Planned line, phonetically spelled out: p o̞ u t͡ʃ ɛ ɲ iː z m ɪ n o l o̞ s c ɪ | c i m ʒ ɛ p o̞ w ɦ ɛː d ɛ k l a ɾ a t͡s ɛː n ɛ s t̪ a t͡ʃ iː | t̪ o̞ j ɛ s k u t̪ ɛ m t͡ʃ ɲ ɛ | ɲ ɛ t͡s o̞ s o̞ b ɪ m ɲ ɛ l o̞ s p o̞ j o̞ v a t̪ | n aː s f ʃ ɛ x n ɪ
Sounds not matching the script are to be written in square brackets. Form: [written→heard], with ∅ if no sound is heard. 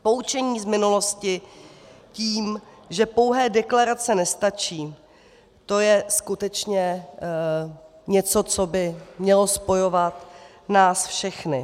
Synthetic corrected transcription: p o̞ u t͡ʃ ɛ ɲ iː z m ɪ n [o→u] l o̞ s c ɪ | c [i→iː] m ʒ ɛ p o̞ w ɦ ɛː d ɛ k l a ɾ a t͡s [ɛː→ɛ] n ɛ s t̪ a t͡ʃ iː | t̪ o̞ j ɛ s k u t̪ ɛ [m→∅] t͡ʃ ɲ ɛ | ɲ ɛ t͡s o̞ [s→t͡s] o̞ b ɪ m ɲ ɛ l o̞ s p o̞ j o̞ v a t̪ | n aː s f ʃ ɛ x n ɪ